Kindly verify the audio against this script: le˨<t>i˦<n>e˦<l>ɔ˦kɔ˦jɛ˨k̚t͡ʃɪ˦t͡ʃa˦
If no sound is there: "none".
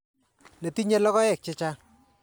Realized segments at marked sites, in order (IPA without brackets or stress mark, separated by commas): t, ɲ, l